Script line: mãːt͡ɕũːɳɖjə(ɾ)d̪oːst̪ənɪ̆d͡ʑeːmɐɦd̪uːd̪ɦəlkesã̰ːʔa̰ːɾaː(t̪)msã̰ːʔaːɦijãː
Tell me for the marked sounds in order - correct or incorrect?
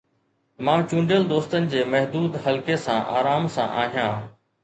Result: incorrect: l, incorrect: none

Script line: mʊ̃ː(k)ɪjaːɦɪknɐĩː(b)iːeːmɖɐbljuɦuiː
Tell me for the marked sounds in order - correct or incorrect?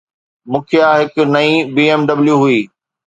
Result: incorrect: kʰ, correct

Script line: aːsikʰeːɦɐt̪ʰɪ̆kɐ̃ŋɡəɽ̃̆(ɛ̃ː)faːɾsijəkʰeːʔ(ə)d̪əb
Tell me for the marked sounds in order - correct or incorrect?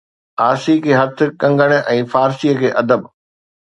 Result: correct, incorrect: ɐ

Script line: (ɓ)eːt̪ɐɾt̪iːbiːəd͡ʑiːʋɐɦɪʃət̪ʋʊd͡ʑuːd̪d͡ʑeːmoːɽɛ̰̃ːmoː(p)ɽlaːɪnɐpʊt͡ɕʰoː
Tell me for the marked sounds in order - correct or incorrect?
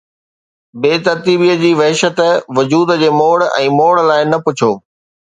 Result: incorrect: b, incorrect: none

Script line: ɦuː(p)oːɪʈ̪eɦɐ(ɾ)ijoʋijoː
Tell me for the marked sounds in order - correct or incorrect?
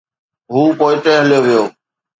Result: correct, incorrect: l

